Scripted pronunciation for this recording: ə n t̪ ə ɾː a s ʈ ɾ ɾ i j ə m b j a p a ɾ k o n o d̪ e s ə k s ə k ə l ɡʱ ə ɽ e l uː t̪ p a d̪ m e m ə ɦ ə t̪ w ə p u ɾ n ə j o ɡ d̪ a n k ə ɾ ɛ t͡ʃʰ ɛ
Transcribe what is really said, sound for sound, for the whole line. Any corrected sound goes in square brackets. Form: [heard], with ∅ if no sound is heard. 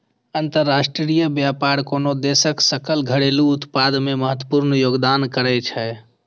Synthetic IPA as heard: ə n t̪ ə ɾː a s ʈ ɾ ɾ i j ə [∅] b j a p a ɾ k o n o d̪ e s ə k s ə k ə l ɡʱ ə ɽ e l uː t̪ p a d̪ m e m ə ɦ ə t̪ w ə p u ɾ n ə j o ɡ d̪ a n k ə ɾ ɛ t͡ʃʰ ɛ